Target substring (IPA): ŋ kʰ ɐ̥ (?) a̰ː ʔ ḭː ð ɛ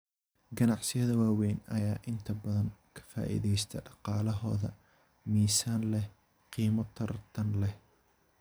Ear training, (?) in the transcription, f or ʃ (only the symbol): f